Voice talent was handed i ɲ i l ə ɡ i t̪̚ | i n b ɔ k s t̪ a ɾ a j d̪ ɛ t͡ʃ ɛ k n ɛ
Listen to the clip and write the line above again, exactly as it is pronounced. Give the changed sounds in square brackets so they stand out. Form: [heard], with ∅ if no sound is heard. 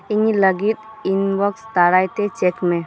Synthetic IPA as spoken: i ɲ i l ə ɡ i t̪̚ | i n b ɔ k s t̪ a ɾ a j [t̪] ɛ t͡ʃ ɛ k [m] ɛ